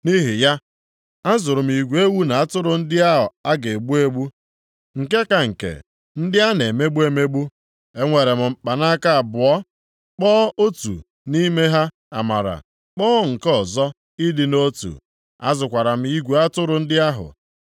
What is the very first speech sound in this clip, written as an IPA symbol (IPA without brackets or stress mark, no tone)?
n